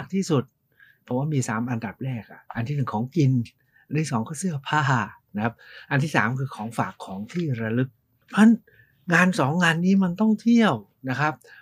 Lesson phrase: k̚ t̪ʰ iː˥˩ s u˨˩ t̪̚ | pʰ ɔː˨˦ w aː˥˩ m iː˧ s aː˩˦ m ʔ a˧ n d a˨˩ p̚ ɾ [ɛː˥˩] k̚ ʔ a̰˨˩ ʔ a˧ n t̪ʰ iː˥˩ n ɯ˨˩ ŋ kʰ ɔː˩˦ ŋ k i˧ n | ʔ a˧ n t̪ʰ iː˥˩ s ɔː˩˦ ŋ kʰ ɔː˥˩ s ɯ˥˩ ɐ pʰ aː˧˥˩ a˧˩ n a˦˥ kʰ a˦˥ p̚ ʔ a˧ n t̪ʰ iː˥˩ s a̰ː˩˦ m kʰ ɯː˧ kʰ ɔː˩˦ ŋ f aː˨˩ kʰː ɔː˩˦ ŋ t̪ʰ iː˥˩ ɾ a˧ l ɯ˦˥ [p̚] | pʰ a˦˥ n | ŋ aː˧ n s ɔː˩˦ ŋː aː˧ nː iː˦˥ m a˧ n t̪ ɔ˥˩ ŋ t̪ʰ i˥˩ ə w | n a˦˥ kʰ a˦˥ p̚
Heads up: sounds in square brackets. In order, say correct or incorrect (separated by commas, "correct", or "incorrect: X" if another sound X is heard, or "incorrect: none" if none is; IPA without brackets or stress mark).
correct, incorrect: k̚